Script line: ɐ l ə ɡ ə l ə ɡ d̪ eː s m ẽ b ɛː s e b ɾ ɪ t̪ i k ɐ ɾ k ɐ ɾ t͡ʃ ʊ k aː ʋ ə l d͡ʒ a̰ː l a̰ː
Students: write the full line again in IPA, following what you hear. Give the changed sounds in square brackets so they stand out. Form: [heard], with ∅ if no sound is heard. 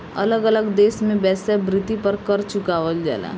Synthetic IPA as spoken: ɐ l ə ɡ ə l ə ɡ d̪ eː s m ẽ b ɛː s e b ɾ ɪ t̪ i [p] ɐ ɾ k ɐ ɾ t͡ʃ ʊ k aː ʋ ə l d͡ʒ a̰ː l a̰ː